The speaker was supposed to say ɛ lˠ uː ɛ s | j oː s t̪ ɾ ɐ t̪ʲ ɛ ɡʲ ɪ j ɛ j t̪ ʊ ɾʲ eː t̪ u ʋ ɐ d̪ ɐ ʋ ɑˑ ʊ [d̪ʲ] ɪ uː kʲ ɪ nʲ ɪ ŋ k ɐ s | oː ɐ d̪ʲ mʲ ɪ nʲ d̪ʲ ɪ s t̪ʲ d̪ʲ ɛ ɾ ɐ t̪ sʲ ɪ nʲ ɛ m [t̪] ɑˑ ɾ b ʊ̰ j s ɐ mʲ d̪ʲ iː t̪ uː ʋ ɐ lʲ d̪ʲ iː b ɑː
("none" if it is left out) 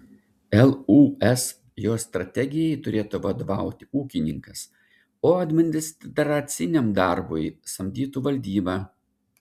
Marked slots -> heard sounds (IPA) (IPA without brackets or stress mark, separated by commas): t̪ʲ, d̪